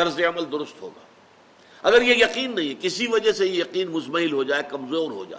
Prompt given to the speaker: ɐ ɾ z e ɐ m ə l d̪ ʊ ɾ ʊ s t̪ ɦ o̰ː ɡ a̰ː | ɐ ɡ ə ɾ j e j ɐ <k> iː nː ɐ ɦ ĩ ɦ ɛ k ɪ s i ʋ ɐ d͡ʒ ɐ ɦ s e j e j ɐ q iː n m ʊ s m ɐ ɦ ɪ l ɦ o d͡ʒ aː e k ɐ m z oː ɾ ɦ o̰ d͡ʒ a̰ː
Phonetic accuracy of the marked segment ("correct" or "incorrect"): incorrect